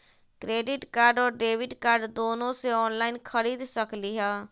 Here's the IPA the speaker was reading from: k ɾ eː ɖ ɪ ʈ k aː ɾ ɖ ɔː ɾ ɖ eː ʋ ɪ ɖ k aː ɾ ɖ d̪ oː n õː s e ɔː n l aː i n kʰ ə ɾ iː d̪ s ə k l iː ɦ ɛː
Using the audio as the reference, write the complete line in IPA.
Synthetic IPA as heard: k ɾ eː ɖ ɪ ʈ k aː ɾ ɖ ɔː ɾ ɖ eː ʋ ɪ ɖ k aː ɾ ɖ d̪ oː n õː s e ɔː n l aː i n kʰ ə ɾ iː d̪ s ə k l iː ɦ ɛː